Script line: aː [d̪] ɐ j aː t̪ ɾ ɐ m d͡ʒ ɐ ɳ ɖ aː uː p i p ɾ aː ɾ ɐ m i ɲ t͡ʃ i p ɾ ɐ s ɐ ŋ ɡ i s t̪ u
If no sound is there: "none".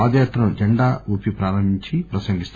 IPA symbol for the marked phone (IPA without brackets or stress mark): d̪